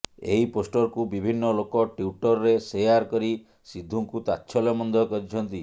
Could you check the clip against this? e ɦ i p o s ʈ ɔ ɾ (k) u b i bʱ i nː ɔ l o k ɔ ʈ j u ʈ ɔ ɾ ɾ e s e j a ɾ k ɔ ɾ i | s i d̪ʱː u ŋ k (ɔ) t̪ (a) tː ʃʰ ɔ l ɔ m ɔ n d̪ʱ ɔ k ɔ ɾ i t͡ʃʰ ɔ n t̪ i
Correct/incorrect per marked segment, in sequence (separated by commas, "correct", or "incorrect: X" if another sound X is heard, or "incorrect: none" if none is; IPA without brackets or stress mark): correct, incorrect: u, correct